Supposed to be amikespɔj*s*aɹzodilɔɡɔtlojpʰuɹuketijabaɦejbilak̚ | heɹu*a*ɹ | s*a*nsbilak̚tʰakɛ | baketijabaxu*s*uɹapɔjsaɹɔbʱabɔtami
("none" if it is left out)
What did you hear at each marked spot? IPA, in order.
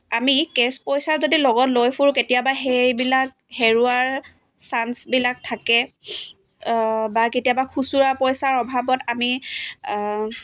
s, a, a, s

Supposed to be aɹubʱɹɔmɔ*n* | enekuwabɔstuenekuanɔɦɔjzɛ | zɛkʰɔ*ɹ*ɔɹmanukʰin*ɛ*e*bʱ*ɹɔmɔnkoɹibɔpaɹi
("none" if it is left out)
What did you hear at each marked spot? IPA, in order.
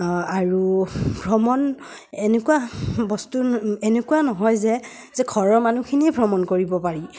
n, ɹ, i, bʱ

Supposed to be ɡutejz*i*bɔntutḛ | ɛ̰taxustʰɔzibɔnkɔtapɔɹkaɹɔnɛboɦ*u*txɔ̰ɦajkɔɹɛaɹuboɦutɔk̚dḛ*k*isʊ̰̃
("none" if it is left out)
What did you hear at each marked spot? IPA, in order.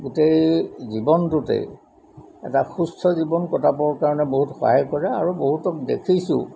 i, u, kʰ

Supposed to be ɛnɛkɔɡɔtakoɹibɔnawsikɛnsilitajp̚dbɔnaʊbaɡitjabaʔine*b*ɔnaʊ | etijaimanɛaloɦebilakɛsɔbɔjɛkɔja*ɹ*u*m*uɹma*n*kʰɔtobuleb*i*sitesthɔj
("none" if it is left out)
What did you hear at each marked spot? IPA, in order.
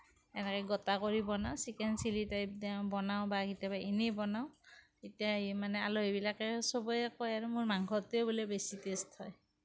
b, ɹ, m, ŋ, e

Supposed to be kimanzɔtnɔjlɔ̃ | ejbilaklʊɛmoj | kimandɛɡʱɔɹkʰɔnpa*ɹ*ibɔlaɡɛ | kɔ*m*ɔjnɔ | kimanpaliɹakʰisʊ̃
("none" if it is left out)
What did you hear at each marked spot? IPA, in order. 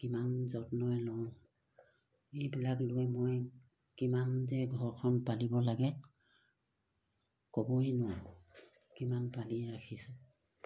l, b

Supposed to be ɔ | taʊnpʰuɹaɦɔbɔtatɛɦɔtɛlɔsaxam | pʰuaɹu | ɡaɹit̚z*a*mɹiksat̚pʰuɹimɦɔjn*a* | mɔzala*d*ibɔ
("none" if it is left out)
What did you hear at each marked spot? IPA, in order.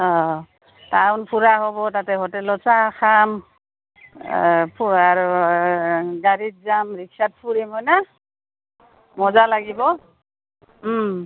a, a, ɡ

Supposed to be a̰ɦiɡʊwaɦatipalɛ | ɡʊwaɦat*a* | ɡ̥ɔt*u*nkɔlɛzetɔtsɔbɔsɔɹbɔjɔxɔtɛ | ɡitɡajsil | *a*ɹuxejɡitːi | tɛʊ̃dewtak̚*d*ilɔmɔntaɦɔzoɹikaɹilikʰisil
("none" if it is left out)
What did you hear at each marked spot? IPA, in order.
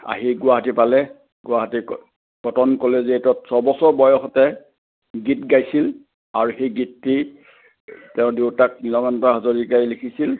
i, ɔ, a, n

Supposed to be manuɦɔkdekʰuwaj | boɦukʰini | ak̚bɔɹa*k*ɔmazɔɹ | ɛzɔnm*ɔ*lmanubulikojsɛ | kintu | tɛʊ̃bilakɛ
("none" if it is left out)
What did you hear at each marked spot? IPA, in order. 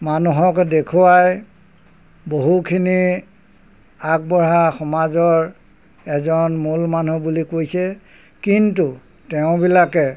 x, u

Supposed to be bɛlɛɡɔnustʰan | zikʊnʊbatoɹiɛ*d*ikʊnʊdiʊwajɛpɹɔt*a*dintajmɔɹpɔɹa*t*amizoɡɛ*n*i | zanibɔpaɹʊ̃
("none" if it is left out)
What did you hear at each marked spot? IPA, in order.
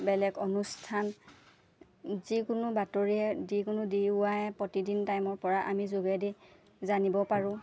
d, i, ʔ, d

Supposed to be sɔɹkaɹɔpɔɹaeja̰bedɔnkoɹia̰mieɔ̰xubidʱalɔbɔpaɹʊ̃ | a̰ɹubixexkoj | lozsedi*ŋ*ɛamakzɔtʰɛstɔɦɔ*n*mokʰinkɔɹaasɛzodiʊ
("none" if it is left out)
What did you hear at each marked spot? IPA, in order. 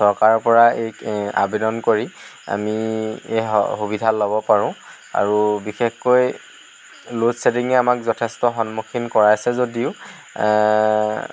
ŋ, n

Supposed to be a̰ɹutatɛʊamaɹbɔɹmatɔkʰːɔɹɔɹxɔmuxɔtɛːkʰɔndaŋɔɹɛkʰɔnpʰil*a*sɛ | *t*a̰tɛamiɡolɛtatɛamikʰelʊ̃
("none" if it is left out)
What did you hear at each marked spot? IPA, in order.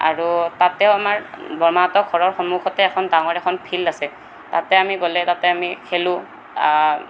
a, t

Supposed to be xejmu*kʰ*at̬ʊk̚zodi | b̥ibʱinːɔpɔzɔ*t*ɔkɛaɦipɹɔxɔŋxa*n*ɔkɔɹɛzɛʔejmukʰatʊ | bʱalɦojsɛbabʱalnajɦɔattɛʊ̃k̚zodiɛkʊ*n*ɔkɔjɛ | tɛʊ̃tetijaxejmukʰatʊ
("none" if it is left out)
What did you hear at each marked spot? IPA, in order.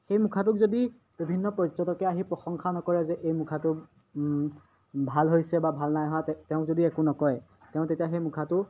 kʰ, t, n, n

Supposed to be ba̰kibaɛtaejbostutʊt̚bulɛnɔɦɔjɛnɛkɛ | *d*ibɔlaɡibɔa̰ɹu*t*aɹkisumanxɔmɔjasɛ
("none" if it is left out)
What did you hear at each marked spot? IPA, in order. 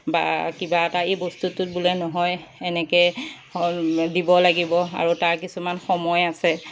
d, t

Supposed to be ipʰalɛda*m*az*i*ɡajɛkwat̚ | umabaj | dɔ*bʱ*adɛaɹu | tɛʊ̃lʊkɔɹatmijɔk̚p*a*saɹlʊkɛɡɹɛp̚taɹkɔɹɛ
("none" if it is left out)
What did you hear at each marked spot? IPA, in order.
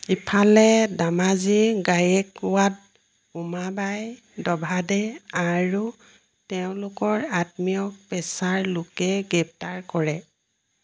m, i, bʱ, ɛ

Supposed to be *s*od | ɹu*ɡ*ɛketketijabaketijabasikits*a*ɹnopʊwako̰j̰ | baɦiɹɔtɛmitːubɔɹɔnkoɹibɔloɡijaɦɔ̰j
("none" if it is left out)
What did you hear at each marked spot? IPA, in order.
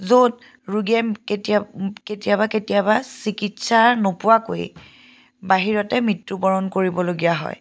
z, ɡ, a

